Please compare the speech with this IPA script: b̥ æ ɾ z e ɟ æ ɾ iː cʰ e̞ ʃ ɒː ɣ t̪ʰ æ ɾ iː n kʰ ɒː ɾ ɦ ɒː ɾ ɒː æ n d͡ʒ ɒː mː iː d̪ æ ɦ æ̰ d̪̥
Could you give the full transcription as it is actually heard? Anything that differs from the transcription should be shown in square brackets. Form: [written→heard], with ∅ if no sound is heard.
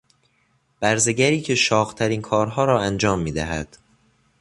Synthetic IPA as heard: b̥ æ ɾ z e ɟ æ ɾ iː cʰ e̞ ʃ ɒː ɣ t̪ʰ æ ɾ iː n kʰ ɒː ɾ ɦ ɒː ɾ ɒː æ n d͡ʒ ɒː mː iː d̪ æ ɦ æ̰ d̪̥